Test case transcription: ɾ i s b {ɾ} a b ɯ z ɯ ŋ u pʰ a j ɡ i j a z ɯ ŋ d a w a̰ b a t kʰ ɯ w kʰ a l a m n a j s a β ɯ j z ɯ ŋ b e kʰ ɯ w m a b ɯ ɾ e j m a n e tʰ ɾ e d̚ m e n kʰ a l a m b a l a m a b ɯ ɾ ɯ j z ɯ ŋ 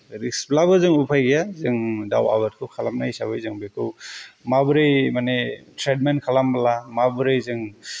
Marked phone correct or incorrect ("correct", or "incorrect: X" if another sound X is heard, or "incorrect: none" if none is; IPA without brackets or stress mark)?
incorrect: l